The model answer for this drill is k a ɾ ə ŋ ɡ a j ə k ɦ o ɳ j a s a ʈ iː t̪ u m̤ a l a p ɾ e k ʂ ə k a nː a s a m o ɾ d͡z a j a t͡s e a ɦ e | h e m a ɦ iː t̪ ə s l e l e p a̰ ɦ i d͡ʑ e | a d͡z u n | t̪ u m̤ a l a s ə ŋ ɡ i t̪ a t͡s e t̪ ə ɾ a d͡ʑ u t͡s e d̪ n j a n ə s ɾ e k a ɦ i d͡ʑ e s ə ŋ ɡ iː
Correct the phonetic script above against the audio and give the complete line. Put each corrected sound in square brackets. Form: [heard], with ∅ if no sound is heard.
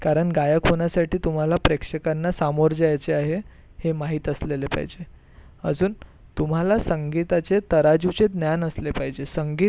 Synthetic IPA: k a ɾ ə [ɳ] ɡ a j ə k ɦ o ɳ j a s a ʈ iː t̪ u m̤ a l a p ɾ e k ʂ ə k a nː a s a m o ɾ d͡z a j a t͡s e a ɦ e | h e m a ɦ iː t̪ ə s l e l e p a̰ ɦ i d͡ʑ e | [ə] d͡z [uː] n | t̪ u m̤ a l a s ə ŋ ɡ i t̪ a t͡s e t̪ ə ɾ a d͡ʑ u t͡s e d̪ n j a n ə s [l] e [p] a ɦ i d͡ʑ e s ə ŋ ɡ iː

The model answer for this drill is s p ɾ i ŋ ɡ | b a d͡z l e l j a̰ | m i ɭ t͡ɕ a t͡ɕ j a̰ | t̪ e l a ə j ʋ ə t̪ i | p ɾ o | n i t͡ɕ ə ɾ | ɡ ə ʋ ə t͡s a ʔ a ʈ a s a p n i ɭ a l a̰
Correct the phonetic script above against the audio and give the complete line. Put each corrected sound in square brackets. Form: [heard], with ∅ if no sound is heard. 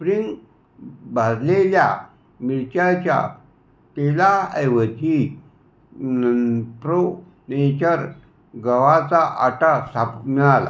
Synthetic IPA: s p ɾ i ŋ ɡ | b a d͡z l e l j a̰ | m i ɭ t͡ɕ a t͡ɕ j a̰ | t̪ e l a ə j ʋ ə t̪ i | p ɾ o | n [e] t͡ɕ ə ɾ | ɡ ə ʋ [a] t͡s a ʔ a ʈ a s a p [m] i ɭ a l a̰

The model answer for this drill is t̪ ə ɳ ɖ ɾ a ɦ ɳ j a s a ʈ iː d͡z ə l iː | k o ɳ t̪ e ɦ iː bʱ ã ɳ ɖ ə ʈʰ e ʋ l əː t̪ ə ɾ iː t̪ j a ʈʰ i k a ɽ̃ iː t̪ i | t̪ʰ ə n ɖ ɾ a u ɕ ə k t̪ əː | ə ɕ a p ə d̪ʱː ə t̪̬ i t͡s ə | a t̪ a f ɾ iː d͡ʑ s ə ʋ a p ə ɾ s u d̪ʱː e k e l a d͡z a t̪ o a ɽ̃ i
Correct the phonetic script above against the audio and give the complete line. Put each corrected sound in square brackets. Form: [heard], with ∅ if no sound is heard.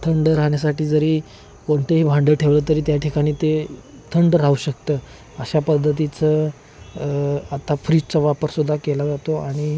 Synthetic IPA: [t̪ʰ] ə ɳ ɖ ɾ a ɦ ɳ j a s a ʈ iː d͡z ə [ɾ] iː | k o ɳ t̪ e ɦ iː bʱ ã ɳ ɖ ə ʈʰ e ʋ l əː t̪ ə ɾ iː t̪ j a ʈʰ i k a ɽ̃ iː t̪ [e] | t̪ʰ ə [ɳ] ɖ ɾ a u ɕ ə k t̪ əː | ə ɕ a p ə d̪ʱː ə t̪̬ i t͡s ə | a t̪ a f ɾ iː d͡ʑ [t͡s] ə ʋ a p ə ɾ s u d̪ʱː [a] k e l a d͡z a t̪ o a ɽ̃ i

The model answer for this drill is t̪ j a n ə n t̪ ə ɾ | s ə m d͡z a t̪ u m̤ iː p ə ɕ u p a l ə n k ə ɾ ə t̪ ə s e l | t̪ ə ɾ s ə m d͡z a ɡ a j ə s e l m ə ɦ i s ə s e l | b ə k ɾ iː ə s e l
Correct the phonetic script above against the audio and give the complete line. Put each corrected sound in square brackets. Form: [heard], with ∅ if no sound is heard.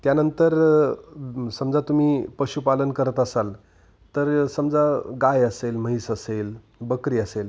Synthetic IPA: t̪ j a n ə n t̪ ə ɾ | s ə m d͡z a t̪ u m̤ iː p ə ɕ u p a l ə n k ə ɾ ə t̪ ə s [a] l | t̪ ə ɾ s ə m d͡z a ɡ a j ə s e l m ə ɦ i s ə s e l | b ə k ɾ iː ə s e l

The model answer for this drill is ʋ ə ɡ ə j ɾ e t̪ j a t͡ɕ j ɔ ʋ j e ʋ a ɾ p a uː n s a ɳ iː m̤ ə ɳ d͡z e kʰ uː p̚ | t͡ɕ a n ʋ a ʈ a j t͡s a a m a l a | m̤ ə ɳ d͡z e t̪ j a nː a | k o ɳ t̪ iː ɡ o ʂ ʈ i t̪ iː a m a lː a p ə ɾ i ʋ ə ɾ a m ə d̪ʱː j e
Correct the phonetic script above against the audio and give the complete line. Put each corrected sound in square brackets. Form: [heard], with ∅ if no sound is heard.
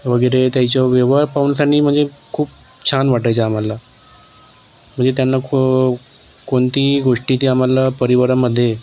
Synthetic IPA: ʋ ə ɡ ə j ɾ e t̪ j a t͡ɕ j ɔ ʋ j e ʋ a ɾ p a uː n s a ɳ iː m̤ ə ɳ d͡z e kʰ uː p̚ | [t͡ɕʰ] a n ʋ a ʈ a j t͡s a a m a l a | m̤ ə ɳ d͡z e t̪ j a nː a | k o ɳ t̪ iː ɡ o ʂ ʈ i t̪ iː a m a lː a p ə ɾ i ʋ ə ɾ a m ə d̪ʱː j e

